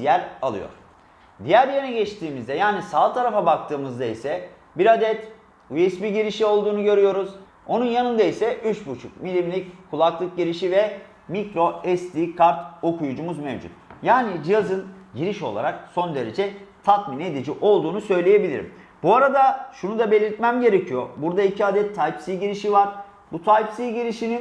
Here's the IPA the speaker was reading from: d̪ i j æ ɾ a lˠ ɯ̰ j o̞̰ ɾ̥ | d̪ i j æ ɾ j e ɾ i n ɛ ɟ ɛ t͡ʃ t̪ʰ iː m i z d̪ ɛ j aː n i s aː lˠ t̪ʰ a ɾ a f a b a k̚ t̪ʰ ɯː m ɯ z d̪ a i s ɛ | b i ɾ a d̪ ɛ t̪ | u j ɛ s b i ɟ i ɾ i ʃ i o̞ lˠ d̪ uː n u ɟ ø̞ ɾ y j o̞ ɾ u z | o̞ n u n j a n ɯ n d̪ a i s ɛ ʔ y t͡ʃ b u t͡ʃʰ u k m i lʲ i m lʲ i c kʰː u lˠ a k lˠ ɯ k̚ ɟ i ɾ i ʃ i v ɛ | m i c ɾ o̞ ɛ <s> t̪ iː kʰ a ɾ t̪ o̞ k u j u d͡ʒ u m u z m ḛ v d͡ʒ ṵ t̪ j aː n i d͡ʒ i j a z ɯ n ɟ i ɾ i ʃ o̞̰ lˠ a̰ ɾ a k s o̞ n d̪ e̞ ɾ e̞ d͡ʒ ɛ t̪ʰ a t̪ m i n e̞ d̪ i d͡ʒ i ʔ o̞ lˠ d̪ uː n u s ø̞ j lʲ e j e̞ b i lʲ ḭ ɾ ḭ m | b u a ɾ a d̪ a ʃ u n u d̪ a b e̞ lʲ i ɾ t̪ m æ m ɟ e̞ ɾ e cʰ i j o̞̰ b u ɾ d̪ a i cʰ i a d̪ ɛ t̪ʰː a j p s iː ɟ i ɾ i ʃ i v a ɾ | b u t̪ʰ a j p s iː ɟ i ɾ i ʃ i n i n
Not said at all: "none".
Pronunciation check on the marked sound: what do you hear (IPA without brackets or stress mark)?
s